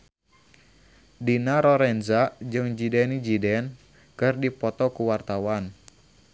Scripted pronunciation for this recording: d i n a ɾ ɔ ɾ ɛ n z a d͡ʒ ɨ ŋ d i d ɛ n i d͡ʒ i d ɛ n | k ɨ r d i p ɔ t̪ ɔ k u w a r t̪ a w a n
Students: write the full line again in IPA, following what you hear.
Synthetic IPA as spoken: d i n a ɾ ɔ ɾ ɛ n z a d͡ʒ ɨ ŋ d͡ʒ i d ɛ n i d͡ʒ i d ɛ n | k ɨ r d i p ɔ t̪ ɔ k u w a r t̪ a w a n

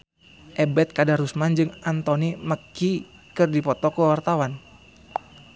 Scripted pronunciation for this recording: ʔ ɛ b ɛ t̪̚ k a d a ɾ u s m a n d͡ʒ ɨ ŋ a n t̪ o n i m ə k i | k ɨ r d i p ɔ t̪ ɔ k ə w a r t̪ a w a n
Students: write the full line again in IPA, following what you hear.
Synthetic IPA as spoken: ʔ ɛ b ɛ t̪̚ k a d a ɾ u s m a n d͡ʒ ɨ ŋ a n t̪ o n i m ə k i | k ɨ r d i p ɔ t̪ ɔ k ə w a r t̪ a w a n

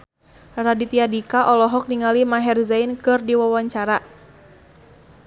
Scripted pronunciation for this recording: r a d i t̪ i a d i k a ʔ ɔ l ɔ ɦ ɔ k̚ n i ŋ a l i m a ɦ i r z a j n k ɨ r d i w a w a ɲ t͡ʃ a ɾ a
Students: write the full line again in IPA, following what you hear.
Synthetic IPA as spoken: r a d i t̪ i a d i k a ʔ ɔ l ɔ ɦ ɔ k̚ n i ŋ a l i m a ɦ ɛ r z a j n k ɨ r d i w a w a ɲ t͡ʃ a ɾ a

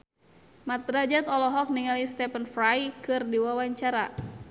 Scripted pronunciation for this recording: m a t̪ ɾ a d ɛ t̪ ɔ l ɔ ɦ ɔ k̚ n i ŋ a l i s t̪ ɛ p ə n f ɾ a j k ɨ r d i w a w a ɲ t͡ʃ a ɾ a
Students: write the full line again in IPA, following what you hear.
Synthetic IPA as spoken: m a t̪ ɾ a d͡ʒ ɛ t̪ ɔ l ɔ ɦ ɔ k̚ n i ŋ a l i s t̪ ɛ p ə n f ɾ a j k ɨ r d i w a w a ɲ t͡ʃ a ɾ a

